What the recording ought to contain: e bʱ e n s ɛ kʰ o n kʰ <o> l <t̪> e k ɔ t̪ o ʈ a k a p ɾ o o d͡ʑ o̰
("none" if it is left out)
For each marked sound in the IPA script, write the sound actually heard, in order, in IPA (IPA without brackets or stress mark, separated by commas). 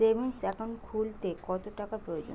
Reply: u, t̪